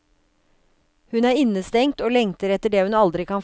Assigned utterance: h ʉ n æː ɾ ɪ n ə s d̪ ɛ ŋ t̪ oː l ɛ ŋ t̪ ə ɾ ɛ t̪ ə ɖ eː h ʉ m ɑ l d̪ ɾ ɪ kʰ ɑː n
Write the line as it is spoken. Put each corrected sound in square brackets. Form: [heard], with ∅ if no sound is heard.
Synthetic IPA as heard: h ʉ n æː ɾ ɪ n ə s [t̪] ɛ ŋ t̪ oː l ɛ ŋ t̪ ə ɾ ɛ t̪ ə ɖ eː h ʉ [n] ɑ l d̪ ɾ ɪ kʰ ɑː n